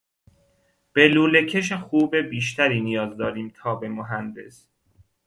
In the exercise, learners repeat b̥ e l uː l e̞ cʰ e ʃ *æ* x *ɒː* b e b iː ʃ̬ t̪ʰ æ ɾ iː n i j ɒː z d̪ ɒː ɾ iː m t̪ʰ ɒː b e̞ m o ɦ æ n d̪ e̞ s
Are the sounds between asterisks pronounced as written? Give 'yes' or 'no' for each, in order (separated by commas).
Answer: no, no